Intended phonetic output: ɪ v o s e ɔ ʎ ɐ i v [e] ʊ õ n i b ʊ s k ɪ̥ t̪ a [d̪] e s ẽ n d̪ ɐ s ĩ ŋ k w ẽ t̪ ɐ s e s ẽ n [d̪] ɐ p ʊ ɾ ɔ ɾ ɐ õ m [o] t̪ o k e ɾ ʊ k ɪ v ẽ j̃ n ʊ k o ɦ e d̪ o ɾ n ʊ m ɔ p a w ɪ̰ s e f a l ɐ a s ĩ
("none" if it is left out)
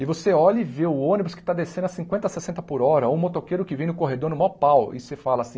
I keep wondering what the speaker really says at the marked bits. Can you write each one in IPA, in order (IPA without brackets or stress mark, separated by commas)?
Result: e, d̪, t̪, o